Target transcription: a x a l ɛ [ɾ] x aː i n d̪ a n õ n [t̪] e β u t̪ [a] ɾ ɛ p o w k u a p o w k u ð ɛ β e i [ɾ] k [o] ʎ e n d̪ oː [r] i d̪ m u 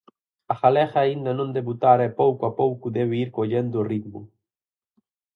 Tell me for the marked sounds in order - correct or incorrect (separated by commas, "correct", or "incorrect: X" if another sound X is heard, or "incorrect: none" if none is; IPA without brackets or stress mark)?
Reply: incorrect: none, incorrect: d̪, correct, correct, correct, correct